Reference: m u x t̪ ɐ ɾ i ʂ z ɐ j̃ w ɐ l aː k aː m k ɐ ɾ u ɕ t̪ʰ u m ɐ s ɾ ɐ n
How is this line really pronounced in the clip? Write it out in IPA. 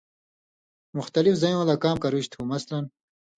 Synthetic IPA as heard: m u x t̪ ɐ l i f z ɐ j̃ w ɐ l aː k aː m k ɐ ɾ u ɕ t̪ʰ u m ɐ s l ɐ n